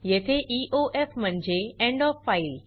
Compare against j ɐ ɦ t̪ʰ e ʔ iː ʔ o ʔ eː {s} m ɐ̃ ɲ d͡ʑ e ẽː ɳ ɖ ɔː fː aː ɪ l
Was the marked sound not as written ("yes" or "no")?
yes